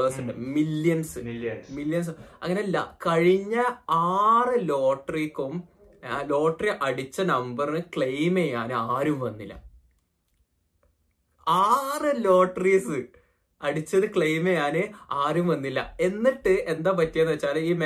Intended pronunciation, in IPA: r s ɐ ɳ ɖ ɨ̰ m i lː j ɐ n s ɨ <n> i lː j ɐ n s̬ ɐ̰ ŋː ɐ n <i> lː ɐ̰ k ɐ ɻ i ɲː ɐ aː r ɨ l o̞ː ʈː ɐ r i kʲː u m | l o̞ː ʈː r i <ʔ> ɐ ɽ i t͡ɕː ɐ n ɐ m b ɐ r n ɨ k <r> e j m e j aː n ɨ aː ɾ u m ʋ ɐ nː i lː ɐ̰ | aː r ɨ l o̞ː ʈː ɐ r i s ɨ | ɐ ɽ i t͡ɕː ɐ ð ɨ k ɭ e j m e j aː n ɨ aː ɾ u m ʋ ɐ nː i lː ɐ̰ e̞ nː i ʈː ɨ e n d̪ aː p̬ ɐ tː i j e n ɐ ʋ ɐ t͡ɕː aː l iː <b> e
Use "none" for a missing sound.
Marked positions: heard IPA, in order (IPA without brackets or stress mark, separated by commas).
m, e, ʔ, ɭ, m